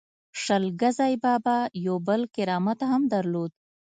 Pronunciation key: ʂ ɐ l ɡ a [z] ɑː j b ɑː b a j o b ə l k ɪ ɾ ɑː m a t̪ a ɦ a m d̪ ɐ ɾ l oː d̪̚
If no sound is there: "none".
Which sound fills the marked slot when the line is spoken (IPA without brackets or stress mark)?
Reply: z